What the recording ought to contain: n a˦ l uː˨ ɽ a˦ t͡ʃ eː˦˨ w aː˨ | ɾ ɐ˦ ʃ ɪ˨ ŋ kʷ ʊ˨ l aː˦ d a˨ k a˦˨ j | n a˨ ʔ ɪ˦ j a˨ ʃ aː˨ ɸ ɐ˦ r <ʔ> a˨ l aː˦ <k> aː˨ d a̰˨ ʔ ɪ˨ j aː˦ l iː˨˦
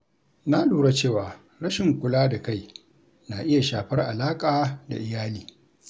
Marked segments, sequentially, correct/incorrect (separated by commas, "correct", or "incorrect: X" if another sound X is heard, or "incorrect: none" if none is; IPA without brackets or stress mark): correct, incorrect: kʼ